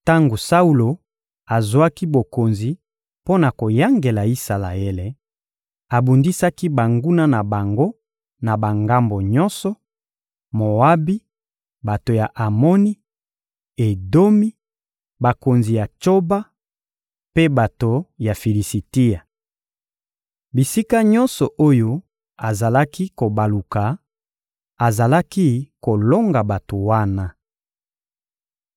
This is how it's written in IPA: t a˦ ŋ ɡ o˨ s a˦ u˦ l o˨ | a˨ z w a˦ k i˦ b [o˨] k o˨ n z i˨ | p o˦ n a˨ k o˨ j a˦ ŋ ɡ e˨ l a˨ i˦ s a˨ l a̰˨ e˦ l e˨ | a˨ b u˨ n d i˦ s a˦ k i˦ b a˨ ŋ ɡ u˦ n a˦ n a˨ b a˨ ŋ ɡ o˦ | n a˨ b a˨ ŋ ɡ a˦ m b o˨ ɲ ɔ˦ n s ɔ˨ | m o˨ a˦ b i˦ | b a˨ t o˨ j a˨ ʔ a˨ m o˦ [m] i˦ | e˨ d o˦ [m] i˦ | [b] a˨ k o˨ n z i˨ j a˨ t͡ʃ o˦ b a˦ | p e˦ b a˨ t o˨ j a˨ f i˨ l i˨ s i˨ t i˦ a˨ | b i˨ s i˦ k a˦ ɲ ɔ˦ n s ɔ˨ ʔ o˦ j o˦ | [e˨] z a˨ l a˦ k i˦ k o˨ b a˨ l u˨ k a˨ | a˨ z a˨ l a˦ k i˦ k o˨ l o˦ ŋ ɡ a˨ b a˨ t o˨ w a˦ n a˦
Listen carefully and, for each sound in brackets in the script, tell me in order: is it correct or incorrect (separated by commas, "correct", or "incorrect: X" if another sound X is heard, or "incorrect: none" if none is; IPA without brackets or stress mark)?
correct, incorrect: n, correct, correct, incorrect: a˨